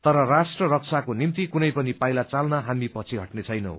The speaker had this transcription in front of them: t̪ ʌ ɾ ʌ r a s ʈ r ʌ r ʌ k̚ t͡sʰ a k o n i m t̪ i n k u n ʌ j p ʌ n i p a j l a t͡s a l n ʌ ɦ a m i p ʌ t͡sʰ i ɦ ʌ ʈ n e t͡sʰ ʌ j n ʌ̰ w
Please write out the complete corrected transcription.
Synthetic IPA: t̪ ʌ ɾ ʌ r a s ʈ r ʌ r ʌ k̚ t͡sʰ a k o n i m t̪ i k u n ʌ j p ʌ n i p a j l a t͡s a l n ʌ ɦ a m i p ʌ t͡sʰ i ɦ ʌ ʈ n e t͡sʰ ʌ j n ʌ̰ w